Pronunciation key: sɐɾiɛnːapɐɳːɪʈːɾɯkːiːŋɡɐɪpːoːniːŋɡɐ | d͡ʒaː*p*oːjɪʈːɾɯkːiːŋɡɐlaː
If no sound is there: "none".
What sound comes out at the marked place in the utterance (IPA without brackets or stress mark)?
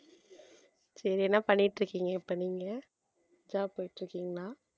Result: p